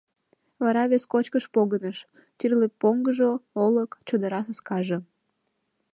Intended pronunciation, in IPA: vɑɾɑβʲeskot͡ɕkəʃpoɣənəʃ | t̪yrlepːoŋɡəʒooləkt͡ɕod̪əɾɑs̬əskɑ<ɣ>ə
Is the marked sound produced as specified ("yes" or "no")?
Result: no